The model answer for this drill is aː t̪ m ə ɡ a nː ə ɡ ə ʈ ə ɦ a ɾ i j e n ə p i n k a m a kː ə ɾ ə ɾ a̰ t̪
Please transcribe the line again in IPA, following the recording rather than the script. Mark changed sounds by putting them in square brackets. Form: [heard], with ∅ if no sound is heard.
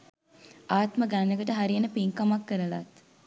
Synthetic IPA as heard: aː t̪ m ə ɡ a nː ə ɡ ə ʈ ə ɦ a ɾ i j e n ə p i [ŋ] k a m a kː ə ɾ ə [l] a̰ t̪